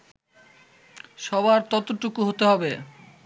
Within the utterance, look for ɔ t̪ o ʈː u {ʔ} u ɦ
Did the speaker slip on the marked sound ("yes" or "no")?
yes